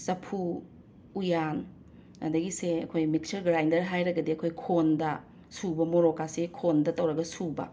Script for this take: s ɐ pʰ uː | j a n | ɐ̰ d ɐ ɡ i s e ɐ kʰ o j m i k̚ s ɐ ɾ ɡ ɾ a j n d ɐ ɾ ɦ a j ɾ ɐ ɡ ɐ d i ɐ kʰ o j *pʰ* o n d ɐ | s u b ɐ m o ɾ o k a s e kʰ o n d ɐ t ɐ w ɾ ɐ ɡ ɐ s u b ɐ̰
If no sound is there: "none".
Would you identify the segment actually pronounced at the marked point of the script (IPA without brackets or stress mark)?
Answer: kʰ